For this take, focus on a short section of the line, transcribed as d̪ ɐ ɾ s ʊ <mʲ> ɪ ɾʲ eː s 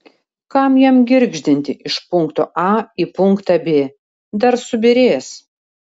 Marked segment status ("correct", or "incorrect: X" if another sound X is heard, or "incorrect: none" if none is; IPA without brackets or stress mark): incorrect: bʲ